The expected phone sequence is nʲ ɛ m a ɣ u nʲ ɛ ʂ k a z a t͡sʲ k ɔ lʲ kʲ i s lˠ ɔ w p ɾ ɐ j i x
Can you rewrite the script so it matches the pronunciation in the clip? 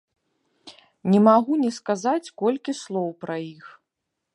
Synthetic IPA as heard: nʲ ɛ m a ɣ u nʲ ɛ s k a z a t͡sʲ k ɔ lʲ kʲ i s lˠ ɔ w p ɾ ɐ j i x